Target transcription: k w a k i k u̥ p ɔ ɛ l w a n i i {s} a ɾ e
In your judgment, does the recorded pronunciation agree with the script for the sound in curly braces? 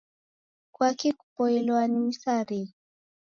yes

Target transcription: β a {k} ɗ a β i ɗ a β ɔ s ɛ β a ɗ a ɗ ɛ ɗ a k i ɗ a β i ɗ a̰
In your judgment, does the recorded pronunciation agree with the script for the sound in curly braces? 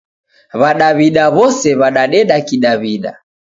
no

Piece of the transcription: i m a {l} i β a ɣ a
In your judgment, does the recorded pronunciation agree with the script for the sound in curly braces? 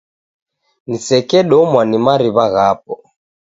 no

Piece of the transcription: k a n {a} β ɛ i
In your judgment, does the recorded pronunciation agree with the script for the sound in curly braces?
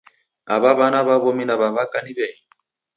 no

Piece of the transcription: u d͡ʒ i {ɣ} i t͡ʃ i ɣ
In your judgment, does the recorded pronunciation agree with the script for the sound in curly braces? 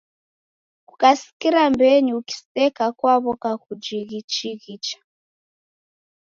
yes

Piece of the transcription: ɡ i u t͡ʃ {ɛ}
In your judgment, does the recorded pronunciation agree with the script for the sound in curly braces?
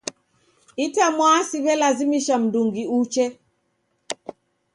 yes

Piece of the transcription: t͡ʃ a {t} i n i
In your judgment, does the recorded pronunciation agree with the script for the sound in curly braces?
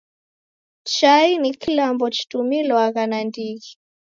no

